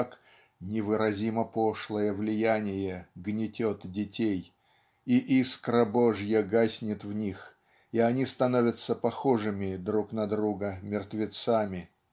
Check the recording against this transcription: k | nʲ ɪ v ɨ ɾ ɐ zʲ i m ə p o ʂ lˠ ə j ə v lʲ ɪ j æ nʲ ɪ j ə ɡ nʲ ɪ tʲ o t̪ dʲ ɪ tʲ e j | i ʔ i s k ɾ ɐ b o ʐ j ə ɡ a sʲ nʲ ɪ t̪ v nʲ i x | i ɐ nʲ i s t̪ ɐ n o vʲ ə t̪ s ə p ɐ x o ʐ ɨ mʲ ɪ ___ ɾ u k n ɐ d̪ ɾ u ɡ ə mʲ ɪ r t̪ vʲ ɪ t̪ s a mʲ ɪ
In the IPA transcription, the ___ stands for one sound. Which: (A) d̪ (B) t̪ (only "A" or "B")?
A